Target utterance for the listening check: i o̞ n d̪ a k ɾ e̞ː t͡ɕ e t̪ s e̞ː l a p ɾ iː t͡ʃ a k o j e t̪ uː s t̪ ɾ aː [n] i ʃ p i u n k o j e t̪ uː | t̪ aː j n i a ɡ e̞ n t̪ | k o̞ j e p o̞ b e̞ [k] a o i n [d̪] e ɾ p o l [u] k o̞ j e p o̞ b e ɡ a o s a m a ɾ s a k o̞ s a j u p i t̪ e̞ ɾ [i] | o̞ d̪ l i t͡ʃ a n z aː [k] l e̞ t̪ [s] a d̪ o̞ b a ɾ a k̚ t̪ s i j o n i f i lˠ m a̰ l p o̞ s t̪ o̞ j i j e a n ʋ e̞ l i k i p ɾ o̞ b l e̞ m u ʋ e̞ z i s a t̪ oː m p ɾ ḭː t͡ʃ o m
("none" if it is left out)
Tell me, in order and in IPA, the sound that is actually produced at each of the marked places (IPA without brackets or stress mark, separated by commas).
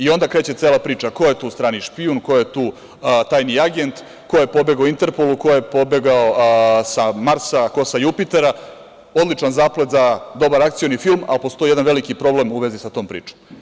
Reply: n, ɡ, t̪, u, a, p, z